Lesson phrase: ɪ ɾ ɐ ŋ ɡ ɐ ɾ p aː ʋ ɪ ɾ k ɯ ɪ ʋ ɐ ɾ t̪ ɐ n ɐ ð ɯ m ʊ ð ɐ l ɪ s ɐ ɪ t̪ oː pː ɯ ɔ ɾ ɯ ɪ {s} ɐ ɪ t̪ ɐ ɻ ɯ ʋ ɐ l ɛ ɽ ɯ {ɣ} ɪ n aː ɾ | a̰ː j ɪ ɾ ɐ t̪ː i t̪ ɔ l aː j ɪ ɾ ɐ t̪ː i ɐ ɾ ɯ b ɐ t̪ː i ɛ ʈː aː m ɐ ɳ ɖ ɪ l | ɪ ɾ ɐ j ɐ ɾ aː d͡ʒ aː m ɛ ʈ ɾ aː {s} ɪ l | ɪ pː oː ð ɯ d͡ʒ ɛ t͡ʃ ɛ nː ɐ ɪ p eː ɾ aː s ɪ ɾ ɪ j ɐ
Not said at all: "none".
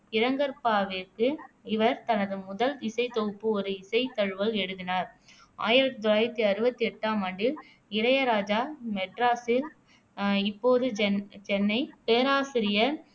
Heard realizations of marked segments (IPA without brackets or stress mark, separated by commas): s, ð, s